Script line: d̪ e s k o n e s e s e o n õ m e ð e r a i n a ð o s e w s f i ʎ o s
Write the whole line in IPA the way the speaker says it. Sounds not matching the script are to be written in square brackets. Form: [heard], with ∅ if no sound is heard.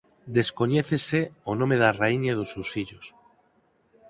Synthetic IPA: d̪ e s k o [ɲ] e [θ] e s e o n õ m e ð [a] r a i [ɲ] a ð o s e w s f i ʎ o s